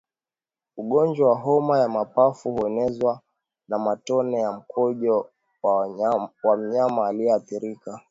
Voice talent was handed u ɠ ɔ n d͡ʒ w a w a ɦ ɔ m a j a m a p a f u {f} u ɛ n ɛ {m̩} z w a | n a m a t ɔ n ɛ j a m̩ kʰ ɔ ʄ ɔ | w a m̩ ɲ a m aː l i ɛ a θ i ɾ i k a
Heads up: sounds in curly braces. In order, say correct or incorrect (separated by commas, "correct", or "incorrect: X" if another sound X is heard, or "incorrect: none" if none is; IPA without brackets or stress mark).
incorrect: h, incorrect: none